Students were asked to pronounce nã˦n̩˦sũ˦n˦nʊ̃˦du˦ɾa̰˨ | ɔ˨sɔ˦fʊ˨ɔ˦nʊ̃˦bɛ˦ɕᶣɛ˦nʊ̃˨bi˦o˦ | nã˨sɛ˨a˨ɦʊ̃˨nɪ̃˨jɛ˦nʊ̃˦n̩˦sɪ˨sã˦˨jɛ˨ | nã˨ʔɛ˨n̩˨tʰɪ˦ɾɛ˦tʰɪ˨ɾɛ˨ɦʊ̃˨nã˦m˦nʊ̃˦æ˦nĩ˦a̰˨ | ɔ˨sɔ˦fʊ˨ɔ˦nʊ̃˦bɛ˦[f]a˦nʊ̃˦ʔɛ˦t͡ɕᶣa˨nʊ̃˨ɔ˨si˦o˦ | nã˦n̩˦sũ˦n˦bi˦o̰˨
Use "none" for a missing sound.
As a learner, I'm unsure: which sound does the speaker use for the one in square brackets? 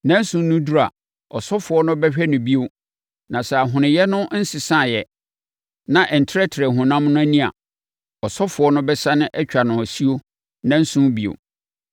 s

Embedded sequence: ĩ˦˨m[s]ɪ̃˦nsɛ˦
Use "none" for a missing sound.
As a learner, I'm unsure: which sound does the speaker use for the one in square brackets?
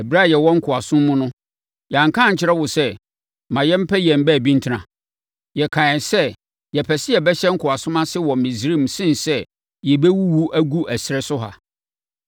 s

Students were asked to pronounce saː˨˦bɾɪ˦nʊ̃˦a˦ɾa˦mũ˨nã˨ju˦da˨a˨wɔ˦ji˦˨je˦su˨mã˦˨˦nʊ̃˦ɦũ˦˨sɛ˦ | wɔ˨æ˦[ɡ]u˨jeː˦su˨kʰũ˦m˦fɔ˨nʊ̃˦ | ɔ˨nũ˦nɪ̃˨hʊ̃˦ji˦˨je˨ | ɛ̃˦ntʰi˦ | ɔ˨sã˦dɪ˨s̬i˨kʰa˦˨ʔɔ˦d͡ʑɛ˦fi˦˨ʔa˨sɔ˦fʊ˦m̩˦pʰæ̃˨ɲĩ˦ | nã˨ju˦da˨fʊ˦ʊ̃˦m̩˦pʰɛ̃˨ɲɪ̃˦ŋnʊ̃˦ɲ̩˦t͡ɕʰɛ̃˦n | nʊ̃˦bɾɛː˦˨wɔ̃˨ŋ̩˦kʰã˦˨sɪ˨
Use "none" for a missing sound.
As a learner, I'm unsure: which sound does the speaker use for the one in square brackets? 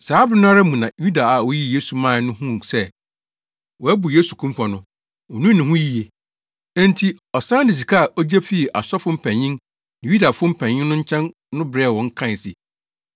b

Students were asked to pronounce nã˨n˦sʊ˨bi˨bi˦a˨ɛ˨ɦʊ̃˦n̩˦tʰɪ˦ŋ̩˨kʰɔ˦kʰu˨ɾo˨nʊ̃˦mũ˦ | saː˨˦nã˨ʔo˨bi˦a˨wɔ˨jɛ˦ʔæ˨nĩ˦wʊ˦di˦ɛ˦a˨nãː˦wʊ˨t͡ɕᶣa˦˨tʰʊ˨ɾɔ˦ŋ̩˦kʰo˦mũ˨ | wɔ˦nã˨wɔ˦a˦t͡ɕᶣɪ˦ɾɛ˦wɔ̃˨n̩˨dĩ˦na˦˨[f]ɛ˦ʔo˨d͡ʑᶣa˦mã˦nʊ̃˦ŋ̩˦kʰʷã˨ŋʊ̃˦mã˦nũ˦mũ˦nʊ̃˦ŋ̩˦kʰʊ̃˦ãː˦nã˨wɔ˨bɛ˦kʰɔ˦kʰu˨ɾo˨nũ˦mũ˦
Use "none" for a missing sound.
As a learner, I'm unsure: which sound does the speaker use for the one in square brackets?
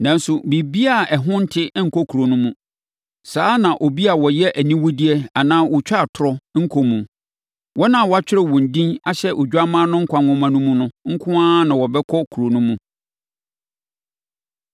ɕ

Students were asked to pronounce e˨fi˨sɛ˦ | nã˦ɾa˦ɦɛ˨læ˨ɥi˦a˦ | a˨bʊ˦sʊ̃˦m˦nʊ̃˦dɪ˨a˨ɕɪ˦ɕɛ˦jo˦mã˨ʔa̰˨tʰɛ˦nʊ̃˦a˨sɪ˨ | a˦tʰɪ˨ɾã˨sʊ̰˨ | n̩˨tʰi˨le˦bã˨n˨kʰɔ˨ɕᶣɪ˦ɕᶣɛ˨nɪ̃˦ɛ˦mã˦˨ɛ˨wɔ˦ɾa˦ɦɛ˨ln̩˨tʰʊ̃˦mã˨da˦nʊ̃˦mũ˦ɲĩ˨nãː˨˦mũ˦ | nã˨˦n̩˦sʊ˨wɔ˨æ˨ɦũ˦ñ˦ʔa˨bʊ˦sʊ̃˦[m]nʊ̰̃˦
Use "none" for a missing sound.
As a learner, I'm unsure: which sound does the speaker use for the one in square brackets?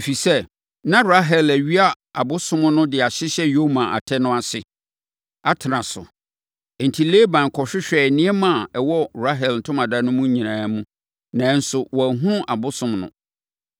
m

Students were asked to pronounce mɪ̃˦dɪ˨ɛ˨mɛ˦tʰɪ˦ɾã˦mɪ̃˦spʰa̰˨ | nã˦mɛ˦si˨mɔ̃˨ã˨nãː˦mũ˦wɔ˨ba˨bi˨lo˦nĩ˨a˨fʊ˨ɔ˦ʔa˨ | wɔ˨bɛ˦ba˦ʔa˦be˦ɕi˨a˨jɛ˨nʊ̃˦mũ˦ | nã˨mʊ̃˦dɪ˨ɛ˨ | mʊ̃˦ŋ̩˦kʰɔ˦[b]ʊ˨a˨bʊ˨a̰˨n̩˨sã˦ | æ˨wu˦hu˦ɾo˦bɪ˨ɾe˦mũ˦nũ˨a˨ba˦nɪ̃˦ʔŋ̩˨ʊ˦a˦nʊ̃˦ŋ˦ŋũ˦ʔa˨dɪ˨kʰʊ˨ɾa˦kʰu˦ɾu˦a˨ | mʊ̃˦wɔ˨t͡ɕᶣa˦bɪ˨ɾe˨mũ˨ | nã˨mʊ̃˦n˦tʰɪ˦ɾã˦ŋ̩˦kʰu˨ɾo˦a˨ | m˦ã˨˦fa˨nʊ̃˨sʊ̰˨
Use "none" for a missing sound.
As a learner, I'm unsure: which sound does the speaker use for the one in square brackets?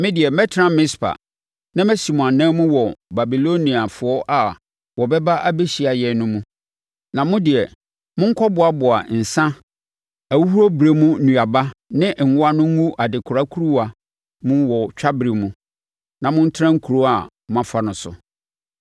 b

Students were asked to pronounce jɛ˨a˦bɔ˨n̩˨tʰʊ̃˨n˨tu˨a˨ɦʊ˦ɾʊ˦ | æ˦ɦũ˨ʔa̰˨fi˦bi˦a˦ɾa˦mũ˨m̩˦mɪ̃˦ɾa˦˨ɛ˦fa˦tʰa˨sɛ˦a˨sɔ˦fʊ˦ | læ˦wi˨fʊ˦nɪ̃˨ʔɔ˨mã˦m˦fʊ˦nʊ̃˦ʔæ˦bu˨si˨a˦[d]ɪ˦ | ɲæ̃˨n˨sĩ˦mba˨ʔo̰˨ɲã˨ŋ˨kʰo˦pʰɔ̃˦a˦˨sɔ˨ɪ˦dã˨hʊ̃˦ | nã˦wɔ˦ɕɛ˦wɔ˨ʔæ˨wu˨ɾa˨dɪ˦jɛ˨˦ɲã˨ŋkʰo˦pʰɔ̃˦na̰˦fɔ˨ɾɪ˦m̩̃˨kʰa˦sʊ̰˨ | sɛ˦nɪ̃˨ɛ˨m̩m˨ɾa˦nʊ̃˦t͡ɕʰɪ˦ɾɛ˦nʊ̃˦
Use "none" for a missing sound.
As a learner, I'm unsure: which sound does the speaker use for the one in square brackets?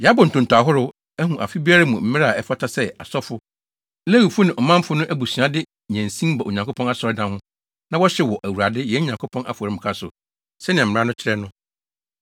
d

